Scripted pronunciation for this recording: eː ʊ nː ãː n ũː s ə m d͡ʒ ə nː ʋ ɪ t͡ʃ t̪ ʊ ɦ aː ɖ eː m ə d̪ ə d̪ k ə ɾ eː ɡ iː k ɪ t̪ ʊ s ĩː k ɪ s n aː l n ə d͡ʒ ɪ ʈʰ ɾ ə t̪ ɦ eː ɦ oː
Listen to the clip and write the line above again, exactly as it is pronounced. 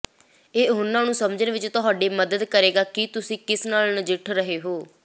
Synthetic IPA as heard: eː ʊ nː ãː n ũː s ə m d͡ʒ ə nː ʋ ɪ t͡ʃ t̪ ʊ ɦ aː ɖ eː m ə d̪ ə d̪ k ə ɾ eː ɡ aː k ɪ t̪ ʊ s ĩː k ɪ s n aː l n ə d͡ʒ ɪ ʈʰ ɾ ə ɦ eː ɦ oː